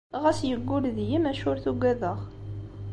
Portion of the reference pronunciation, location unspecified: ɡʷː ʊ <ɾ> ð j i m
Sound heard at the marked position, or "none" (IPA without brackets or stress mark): l